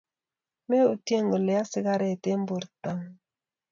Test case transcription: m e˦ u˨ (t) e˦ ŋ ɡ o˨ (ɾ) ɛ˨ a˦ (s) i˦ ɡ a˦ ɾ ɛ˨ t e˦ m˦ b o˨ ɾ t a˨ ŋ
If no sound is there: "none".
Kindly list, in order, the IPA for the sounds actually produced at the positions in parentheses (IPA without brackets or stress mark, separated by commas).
t, l, s